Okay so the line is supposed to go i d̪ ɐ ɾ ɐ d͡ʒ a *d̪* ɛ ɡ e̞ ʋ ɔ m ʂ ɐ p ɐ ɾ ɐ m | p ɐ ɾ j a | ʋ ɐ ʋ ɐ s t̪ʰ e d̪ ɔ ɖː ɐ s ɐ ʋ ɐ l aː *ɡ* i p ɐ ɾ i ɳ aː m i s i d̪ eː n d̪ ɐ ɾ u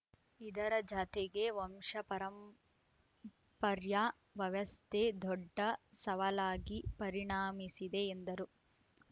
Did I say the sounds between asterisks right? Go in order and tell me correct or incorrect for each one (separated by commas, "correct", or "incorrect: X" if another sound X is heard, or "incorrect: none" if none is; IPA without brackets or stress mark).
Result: incorrect: t̪, correct